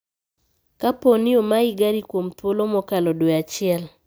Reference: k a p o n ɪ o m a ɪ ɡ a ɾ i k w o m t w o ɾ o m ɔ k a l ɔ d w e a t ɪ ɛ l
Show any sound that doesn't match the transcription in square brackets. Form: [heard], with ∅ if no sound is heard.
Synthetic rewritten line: k a p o n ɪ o m a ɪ ɡ a ɾ i k w o m t w o [l] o m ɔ k a l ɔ d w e a [t͡ʃ] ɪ ɛ l

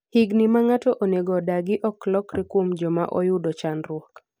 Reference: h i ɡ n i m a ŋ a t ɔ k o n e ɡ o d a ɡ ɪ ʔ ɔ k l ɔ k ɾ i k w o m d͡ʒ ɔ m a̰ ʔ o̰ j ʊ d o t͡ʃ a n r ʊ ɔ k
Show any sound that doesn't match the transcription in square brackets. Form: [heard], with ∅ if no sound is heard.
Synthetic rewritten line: h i ɡ n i m a ŋ a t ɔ [ʔ] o n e ɡ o d a ɡ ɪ ʔ ɔ k l ɔ k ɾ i k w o m d͡ʒ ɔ m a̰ ʔ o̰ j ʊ d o t͡ʃ a n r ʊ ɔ k

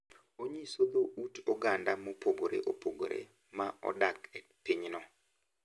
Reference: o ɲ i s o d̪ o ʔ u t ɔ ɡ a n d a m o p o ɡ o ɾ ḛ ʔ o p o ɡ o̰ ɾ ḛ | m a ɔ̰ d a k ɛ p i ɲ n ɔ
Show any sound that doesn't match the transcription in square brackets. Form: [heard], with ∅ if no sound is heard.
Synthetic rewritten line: o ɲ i s o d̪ o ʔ u t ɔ ɡ a n d a m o p o ɡ o ɾ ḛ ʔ o p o ɡ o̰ ɾ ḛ | m a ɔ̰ d a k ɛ p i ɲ n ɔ

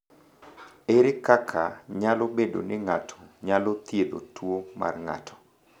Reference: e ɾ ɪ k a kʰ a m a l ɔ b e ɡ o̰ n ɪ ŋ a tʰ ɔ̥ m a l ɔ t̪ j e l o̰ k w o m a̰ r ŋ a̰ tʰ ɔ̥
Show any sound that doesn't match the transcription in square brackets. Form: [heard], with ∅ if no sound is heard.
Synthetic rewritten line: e ɾ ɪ k a kʰ a [ɲ] a l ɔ b e [d] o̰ n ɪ ŋ a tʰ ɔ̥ [ɲ] a l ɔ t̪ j e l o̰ [t] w o m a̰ r ŋ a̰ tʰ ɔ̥

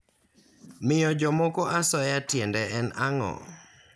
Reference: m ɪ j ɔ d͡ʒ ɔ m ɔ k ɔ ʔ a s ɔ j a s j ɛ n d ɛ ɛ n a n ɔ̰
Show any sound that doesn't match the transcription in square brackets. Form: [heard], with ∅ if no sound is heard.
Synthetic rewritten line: m ɪ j ɔ d͡ʒ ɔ m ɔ k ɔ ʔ a s ɔ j a [t] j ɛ n d ɛ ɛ n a [ŋ] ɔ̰

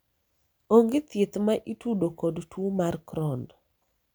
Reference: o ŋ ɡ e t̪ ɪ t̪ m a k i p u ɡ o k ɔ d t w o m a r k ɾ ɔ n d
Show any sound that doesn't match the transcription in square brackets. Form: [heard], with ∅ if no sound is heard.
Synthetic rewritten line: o ŋ ɡ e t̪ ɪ t̪ m a [ʔ] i [t] u [d] o k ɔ d t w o m a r k ɾ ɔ n d

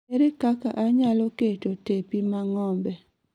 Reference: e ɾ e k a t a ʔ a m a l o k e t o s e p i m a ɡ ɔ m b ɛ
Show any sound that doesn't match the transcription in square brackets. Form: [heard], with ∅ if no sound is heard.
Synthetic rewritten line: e ɾ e k a [k] a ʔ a [ɲ] a l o k e t o [t] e p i m a [ŋ] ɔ m b ɛ

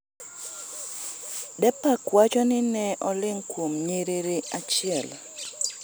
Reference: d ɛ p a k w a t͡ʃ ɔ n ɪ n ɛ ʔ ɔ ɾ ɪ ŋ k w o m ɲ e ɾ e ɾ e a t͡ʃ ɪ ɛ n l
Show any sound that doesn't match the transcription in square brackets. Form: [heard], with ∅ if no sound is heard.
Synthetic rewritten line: d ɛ p a k w a t͡ʃ ɔ n ɪ n ɛ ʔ ɔ [l] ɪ ŋ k w o m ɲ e ɾ e ɾ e a t͡ʃ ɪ ɛ [∅] l

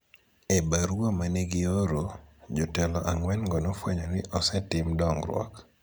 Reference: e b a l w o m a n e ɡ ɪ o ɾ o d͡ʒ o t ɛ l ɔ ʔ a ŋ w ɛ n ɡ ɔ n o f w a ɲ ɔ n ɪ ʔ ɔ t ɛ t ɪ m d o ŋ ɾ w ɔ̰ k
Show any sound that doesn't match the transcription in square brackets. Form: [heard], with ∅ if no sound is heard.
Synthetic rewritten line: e b a [ɾ] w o m a n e ɡ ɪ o ɾ o d͡ʒ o t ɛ l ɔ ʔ a ŋ w ɛ n ɡ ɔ n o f w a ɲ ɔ n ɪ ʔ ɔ [s] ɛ t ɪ m d [ɔ] ŋ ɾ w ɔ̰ k

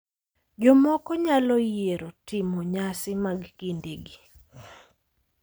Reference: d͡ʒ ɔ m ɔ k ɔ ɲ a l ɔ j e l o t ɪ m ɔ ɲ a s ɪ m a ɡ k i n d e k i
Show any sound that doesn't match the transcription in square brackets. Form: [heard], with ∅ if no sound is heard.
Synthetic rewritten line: d͡ʒ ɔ m ɔ k ɔ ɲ a l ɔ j e [ɾ] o t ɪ m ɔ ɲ a s ɪ m a ɡ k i n d e [ɡ] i

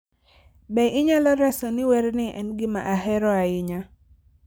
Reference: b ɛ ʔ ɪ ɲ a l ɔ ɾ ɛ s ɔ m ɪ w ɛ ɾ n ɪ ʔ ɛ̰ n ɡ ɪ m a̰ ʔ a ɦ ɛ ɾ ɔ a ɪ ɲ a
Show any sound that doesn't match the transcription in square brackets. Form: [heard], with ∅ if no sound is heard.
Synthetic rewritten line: b ɛ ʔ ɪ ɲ a l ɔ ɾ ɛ s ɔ [n] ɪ w ɛ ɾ n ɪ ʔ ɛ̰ n ɡ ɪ m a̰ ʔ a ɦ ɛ ɾ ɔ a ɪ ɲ a

